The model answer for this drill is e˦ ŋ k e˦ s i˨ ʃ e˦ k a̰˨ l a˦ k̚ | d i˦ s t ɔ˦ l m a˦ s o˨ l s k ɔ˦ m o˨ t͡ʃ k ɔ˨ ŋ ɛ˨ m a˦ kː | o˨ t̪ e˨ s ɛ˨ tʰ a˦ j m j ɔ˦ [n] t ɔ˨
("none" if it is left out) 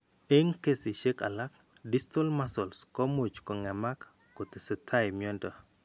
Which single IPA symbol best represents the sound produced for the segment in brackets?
n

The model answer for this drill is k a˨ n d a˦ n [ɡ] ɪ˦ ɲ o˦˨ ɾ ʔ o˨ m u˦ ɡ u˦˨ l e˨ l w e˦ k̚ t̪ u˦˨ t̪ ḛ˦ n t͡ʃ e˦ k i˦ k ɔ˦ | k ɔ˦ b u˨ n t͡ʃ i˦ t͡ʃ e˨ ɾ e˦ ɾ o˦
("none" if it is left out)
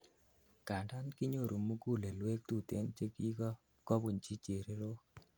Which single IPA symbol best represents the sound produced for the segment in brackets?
k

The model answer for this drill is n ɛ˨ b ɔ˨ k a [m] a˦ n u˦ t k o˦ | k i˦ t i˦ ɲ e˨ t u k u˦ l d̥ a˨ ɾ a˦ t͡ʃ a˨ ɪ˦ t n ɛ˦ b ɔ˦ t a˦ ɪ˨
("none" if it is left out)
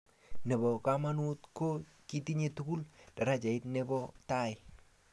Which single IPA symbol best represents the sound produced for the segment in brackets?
m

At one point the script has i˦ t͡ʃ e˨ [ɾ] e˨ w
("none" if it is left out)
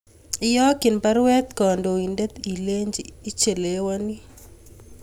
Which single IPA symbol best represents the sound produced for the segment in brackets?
l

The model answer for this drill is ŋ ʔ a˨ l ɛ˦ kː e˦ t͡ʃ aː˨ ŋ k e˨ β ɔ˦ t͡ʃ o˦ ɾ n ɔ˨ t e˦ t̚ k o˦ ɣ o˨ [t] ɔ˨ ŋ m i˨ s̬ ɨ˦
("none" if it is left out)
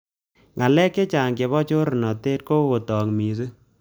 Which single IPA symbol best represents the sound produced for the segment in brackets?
t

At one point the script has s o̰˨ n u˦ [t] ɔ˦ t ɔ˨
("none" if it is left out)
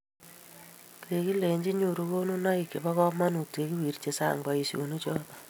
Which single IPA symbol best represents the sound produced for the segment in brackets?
t͡ʃ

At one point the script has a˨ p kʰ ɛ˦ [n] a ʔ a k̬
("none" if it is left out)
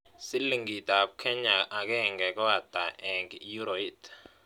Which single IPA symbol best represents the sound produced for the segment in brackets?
ɲ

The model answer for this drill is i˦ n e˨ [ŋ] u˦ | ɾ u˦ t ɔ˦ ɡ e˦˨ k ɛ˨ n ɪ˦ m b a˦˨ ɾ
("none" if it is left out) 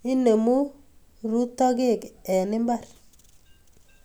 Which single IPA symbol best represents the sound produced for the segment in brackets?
m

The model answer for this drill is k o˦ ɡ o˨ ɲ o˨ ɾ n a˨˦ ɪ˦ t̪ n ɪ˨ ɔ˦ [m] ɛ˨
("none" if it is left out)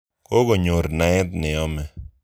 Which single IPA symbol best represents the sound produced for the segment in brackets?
m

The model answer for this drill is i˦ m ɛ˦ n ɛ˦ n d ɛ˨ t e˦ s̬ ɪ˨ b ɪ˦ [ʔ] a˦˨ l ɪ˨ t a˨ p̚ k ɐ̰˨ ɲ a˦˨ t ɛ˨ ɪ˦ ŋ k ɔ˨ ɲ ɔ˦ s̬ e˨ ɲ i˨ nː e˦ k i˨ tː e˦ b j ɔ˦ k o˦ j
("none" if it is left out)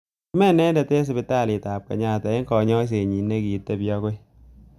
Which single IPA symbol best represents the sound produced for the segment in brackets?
t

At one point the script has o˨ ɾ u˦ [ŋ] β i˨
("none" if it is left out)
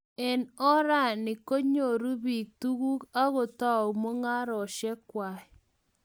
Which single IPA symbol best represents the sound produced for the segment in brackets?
none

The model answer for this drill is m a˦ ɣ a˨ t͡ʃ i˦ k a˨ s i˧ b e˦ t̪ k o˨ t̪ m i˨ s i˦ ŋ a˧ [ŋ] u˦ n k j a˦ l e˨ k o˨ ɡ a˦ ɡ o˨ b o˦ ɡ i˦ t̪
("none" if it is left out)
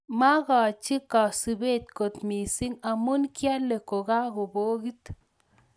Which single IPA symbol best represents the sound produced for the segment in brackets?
m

